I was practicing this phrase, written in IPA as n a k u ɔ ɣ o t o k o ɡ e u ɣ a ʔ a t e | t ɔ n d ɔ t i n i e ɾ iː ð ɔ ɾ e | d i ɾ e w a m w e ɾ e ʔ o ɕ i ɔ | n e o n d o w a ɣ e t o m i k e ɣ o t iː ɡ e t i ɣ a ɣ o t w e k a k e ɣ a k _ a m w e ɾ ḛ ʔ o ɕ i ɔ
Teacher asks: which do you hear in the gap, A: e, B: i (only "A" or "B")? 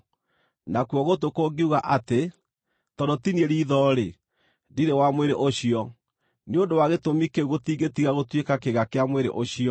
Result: A